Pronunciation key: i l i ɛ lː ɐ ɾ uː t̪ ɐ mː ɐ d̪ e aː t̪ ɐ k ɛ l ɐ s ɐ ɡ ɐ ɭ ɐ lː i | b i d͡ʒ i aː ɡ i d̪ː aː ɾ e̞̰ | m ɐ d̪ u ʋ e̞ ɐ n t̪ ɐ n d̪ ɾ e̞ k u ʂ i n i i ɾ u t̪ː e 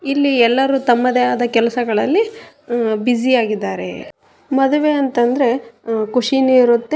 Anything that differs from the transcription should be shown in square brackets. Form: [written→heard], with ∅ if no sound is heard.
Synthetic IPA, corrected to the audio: i [l→lː] i ɛ lː ɐ ɾ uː t̪ ɐ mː ɐ d̪ e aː [t̪→d̪] ɐ k ɛ l ɐ s ɐ ɡ ɐ ɭ ɐ lː i | b i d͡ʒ i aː ɡ i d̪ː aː ɾ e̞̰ | m ɐ d̪ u ʋ e̞ ɐ n t̪ ɐ n d̪ ɾ e̞ k u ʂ i n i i ɾ u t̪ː e